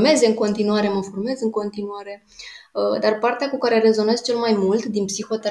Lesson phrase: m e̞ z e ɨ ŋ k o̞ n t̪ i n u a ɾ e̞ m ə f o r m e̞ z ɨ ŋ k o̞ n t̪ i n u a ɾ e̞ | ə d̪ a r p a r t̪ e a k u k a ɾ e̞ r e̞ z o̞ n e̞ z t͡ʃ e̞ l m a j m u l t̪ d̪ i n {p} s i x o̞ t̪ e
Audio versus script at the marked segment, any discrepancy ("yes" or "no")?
no